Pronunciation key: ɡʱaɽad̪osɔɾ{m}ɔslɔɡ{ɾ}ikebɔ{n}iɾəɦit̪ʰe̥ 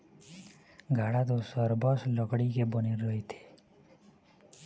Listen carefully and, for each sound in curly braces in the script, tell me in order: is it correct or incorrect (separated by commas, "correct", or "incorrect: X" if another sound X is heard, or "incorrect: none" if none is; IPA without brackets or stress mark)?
incorrect: b, incorrect: ɽ, correct